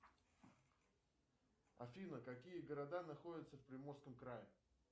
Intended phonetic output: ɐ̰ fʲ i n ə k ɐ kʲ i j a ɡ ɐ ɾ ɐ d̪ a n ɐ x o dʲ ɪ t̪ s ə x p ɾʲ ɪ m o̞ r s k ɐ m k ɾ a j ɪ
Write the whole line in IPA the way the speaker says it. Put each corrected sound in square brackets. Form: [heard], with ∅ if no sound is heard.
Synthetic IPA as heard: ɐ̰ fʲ i n ə k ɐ kʲ i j [ə] ɡ [ə] ɾ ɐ d̪ a n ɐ x o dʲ ɪ t̪ s ə [f] p ɾʲ ɪ m o̞ r s k [ə] m k ɾ a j ɪ